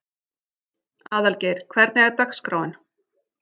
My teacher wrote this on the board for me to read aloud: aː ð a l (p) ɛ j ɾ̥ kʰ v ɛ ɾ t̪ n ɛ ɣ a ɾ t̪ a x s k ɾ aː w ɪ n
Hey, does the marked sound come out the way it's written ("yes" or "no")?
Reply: no